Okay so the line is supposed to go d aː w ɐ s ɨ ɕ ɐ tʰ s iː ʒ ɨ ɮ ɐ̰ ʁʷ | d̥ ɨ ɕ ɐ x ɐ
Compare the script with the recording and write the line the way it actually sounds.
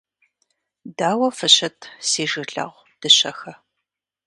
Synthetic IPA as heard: d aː w ɐ f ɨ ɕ ɐ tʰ s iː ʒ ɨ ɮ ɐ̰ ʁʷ | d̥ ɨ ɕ ɐ x ɐ